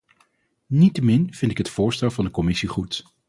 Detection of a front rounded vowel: absent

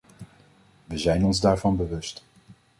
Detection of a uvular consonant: absent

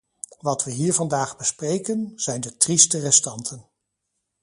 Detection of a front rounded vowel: absent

